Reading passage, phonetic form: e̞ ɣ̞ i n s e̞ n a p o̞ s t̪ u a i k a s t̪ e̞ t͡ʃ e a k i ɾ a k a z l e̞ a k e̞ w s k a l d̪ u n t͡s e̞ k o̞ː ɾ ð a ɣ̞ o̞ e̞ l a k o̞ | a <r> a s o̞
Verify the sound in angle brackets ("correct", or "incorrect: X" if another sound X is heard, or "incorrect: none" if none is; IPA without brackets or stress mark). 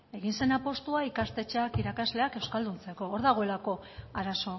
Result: incorrect: ɾ